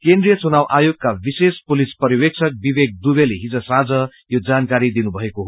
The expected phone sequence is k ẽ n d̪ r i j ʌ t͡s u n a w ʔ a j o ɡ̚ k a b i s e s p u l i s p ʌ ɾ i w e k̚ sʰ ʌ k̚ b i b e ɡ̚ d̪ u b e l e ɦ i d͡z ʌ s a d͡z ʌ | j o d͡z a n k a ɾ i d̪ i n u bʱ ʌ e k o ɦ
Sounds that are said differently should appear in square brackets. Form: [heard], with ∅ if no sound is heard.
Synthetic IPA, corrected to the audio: k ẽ n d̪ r i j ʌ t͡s u n a w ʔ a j o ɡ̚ k a b i s e s p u l i s p ʌ ɾ i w e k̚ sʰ ʌ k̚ b i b e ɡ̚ d̪ u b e l e ɦ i d͡z ʌ s a d͡z ʌ | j o d͡z a n k a ɾ i d̪ i n u bʱ ʌ e k o ɦ